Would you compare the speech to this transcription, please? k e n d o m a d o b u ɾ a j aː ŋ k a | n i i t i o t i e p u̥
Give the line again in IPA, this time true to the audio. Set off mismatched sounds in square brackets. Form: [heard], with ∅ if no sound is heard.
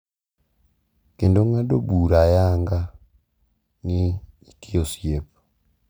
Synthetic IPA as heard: k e n d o [ŋ] a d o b u ɾ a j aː ŋ [ɡ] a | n i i t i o [s] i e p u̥